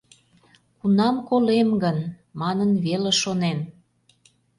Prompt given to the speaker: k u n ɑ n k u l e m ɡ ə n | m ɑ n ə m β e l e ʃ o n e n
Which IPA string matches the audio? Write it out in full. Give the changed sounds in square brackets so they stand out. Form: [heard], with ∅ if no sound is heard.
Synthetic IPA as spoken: k u n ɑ [m] k [o] l e m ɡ ə n | m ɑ n ə [n] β e l e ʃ o n e n